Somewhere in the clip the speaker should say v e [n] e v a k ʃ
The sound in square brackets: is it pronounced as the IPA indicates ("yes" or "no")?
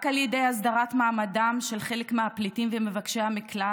no